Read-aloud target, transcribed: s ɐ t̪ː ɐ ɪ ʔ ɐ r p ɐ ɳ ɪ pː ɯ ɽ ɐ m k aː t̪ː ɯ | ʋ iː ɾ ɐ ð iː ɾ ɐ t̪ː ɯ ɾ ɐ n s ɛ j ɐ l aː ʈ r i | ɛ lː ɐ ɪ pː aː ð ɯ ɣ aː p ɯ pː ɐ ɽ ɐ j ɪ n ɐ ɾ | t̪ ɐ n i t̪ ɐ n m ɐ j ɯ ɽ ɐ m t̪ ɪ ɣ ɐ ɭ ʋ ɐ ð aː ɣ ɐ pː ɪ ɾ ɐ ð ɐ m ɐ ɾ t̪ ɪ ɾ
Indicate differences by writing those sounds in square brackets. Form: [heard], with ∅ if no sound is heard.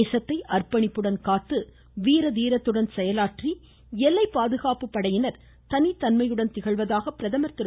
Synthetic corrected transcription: s ɐ t̪ː ɐ ɪ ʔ ɐ r p ɐ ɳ ɪ pː ɯ ɽ ɐ [n] k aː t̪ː ɯ | ʋ iː ɾ ɐ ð iː ɾ ɐ t̪ː ɯ [ɽ] ɐ n s ɛ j ɐ l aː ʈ r i | ɛ lː ɐ ɪ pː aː ð ɯ ɣ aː p ɯ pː ɐ ɽ ɐ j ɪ n ɐ ɾ | t̪ ɐ n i t̪ ɐ n m ɐ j ɯ ɽ ɐ [n] t̪ ɪ ɣ ɐ ɭ ʋ ɐ ð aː ɣ ɐ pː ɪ ɾ ɐ ð ɐ m ɐ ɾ t̪ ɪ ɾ

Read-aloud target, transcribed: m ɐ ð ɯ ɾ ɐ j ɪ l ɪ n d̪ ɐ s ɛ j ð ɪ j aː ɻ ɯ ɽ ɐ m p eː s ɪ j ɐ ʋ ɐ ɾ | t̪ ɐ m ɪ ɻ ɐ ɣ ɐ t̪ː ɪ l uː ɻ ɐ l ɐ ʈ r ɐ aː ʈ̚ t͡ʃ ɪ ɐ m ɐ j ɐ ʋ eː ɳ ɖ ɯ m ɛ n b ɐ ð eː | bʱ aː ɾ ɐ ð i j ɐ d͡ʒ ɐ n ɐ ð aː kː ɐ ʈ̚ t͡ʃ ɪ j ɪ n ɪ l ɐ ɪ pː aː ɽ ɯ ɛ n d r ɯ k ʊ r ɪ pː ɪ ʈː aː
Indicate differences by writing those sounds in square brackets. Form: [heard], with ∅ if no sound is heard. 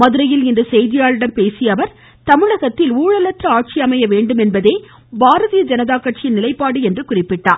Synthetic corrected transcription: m ɐ ð ɯ ɾ ɐ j ɪ l ɪ n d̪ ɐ s ɛ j ð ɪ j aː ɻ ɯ ɽ ɐ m p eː s ɪ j ɐ ʋ ɐ ɾ | t̪ ɐ m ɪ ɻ ɐ ɣ ɐ t̪ː ɪ l uː ɻ ɐ l ɐ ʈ r ɐ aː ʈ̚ t͡ʃ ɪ ɐ m ɐ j ɐ ʋ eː ɳ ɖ ɯ m ɛ n b ɐ ð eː | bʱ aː ɾ ɐ ð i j ɐ d͡ʒ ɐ n ɐ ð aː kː ɐ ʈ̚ t͡ʃ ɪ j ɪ n ɪ l ɐ ɪ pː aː ɽ ɯ ɛ n d r ɯ k ʊ r ɪ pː ɪ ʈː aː

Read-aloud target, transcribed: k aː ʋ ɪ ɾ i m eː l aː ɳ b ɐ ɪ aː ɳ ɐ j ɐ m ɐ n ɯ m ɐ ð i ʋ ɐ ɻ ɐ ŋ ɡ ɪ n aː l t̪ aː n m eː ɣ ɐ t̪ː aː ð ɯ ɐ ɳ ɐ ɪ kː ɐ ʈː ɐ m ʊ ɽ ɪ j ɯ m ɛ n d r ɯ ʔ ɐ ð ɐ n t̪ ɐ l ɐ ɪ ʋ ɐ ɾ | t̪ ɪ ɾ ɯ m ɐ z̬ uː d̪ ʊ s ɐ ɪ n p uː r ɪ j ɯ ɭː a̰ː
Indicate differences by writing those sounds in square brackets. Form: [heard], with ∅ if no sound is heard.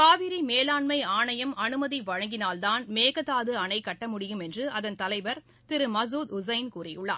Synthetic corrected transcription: k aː ʋ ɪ ɾ i m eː l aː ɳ [m] ɐ ɪ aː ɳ ɐ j ɐ m ɐ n ɯ m ɐ ð i ʋ ɐ ɻ ɐ ŋ ɡ ɪ n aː l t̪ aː n m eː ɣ ɐ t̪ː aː ð ɯ ɐ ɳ ɐ ɪ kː ɐ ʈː ɐ m ʊ ɽ ɪ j ɯ m ɛ n d r ɯ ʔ ɐ ð ɐ n t̪ ɐ l ɐ ɪ ʋ ɐ ɾ | t̪ ɪ ɾ ɯ m ɐ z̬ uː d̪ ʊ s ɐ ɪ n [k] uː r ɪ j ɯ ɭː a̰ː

